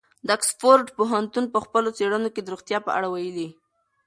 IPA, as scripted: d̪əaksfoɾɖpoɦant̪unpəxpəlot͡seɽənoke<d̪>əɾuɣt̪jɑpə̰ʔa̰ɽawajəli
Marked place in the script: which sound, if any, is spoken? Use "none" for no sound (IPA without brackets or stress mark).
d̪